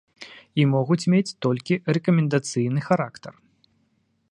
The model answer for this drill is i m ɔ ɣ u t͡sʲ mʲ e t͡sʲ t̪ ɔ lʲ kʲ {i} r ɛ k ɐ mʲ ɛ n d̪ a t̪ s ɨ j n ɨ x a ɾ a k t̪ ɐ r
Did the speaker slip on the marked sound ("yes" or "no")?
no